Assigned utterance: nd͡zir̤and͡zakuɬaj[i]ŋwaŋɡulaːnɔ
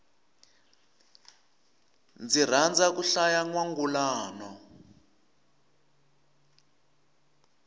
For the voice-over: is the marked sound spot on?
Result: no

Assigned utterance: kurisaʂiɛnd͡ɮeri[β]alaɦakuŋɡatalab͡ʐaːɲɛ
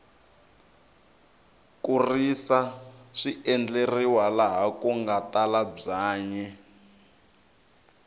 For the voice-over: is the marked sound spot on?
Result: no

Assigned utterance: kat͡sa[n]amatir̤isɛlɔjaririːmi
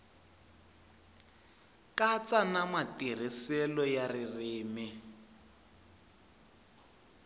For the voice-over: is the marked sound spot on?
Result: yes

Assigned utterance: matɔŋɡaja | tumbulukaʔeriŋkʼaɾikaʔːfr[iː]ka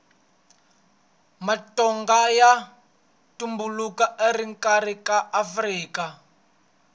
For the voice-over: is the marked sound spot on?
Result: yes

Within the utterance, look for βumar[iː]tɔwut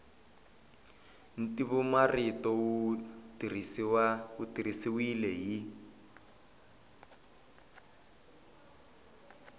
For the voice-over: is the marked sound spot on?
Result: no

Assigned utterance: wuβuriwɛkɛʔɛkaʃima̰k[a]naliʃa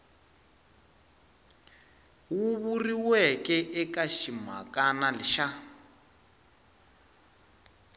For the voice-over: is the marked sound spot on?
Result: yes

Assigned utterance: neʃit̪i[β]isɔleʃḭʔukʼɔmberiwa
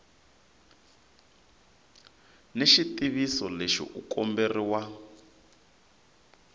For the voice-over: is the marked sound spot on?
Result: yes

